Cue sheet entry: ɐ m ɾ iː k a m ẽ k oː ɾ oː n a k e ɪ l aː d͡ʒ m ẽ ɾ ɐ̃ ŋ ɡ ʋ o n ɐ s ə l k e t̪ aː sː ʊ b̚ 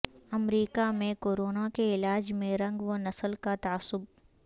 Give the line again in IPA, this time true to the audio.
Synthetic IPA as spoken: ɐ m ɾ iː k a m ẽ k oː ɾ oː n a k e ɪ l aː d͡ʒ m ẽ ɾ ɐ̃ ŋ ɡ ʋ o n ɐ s ə l k a t̪ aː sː ʊ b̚